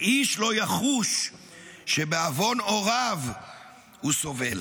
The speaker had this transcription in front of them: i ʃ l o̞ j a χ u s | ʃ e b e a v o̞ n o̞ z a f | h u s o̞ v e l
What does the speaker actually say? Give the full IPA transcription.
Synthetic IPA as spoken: i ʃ l o̞ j a χ u ʃ | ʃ e b e a v o̞ n o̞ ʁ a v | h u s o̞ v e l